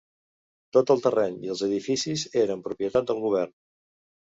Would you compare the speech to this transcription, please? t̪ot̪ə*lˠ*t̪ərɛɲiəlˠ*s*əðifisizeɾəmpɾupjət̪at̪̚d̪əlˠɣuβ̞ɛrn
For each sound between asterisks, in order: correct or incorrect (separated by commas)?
correct, incorrect